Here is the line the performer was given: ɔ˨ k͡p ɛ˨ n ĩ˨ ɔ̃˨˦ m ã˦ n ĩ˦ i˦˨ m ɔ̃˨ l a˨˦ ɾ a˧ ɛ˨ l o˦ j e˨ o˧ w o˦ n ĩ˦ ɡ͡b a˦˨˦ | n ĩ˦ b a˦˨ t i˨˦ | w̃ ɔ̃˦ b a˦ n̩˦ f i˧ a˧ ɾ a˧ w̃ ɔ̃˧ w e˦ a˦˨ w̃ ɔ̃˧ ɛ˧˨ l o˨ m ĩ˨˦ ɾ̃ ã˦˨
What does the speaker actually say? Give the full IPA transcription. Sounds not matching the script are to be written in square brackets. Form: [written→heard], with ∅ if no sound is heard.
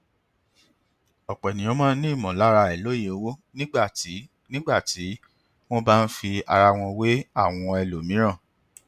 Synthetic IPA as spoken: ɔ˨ k͡p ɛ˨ n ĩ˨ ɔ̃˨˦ m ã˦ n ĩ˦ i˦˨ m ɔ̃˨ l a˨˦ ɾ a˧ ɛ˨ l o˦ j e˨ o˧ w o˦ n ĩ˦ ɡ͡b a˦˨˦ | n ĩ˦ [b→ɡ͡b] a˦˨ t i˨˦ | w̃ ɔ̃˦ b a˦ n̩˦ f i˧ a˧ ɾ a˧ w̃ ɔ̃˧ w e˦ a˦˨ w̃ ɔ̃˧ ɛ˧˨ l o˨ m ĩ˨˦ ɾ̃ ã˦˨